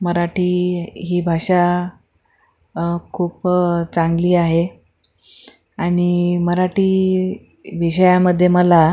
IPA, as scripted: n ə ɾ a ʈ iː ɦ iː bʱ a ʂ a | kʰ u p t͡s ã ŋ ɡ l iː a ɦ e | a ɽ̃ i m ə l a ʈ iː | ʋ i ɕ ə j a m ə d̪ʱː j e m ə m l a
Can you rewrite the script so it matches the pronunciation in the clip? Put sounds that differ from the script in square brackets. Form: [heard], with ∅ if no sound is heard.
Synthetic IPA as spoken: [m] ə ɾ a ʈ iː ɦ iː bʱ a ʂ a | kʰ [uː] p t͡s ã ŋ ɡ l iː a ɦ e | a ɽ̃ i m ə [ɾ] a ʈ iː | ʋ i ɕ ə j a m ə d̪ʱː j e m ə [∅] l a